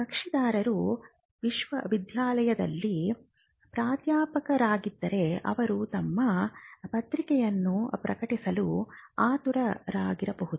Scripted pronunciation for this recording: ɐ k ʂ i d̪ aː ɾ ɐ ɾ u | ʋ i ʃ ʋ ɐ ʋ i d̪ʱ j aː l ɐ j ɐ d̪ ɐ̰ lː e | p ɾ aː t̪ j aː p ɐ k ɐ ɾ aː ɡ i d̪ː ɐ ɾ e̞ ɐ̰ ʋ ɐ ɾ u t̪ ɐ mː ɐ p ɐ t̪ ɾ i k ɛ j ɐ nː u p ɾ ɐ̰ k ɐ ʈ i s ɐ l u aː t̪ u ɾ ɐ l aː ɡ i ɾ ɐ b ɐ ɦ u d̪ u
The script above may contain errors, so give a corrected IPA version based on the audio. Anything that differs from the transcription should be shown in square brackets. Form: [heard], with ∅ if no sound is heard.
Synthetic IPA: ɐ k ʂ i d̪ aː ɾ ɐ ɾ u | ʋ i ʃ ʋ ɐ ʋ i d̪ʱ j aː l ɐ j ɐ d̪ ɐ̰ lː [i] | p ɾ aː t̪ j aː p ɐ k ɐ ɾ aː ɡ i d̪ː ɐ ɾ e̞ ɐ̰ ʋ ɐ ɾ u t̪ ɐ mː ɐ p ɐ t̪ ɾ i k ɛ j ɐ nː u p ɾ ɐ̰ k ɐ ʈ i s ɐ l u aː t̪ u ɾ ɐ [ɾ] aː ɡ i ɾ ɐ b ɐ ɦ u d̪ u